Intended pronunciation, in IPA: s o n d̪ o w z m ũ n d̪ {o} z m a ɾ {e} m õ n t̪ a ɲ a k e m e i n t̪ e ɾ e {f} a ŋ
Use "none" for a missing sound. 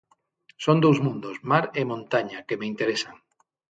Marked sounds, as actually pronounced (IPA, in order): o, e, s

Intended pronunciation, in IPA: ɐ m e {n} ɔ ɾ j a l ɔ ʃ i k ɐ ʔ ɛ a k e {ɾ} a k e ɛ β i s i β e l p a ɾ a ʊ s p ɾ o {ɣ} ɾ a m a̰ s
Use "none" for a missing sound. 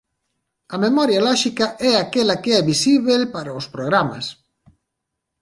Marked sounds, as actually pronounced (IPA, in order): m, l, ɣ

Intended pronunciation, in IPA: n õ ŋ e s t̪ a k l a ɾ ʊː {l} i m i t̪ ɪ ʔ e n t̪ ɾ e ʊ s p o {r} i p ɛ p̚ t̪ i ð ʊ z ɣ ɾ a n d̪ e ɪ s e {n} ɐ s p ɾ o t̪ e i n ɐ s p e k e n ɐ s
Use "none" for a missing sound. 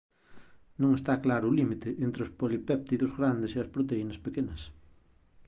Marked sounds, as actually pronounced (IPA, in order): l, l, none

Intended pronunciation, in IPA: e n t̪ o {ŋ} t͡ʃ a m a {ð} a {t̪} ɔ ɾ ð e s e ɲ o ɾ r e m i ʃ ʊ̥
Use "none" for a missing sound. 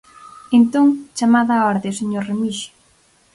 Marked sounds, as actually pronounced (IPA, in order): ŋ, ð, none

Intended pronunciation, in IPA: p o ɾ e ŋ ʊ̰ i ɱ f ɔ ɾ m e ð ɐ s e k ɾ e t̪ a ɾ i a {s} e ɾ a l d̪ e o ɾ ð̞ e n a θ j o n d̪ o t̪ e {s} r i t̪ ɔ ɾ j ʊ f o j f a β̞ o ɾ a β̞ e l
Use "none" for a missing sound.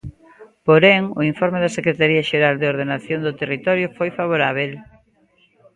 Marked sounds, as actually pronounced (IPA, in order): ʃ, none

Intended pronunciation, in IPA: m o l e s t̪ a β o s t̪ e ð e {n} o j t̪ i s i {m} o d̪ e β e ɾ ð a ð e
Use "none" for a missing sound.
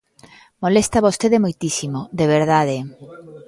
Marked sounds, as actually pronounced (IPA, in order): m, m

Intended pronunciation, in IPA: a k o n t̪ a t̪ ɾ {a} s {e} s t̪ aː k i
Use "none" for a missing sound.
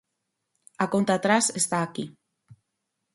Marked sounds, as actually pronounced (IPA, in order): a, e

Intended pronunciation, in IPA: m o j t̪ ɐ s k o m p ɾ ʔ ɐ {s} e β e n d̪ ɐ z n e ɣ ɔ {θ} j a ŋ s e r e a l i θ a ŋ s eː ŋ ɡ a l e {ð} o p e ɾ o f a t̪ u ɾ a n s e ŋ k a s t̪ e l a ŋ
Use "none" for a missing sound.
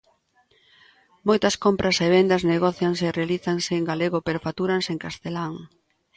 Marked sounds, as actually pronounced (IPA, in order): s, θ, ɣ

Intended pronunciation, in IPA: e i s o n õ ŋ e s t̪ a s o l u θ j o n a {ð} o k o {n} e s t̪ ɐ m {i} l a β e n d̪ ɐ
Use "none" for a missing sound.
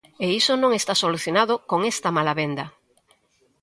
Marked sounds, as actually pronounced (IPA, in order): ð, ŋ, a

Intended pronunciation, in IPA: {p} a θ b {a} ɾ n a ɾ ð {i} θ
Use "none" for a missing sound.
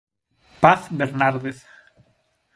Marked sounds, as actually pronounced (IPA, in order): p, e, e

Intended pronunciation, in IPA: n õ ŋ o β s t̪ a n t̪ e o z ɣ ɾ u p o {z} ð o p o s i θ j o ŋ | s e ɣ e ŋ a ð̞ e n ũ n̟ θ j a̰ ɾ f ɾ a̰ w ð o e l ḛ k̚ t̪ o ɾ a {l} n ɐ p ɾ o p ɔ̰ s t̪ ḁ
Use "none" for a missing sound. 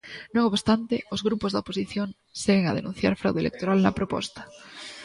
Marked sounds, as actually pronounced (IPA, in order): z, l

